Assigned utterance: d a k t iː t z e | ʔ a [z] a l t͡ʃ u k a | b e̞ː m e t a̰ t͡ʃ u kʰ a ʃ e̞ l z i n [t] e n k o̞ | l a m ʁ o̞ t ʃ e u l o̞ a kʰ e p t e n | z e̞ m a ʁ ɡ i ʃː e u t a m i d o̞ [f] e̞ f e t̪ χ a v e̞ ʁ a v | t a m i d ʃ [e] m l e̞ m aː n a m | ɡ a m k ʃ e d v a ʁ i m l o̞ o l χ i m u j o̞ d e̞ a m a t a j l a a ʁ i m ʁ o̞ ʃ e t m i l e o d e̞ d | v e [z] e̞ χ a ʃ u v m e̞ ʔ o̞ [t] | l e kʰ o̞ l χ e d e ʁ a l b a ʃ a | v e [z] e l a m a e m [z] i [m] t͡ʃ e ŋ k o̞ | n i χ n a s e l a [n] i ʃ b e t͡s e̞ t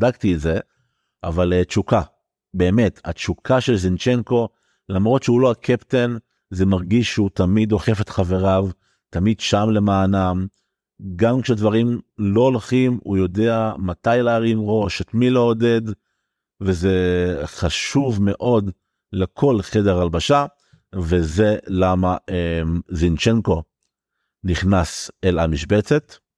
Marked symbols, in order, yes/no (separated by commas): no, no, no, no, yes, no, yes, yes, no, no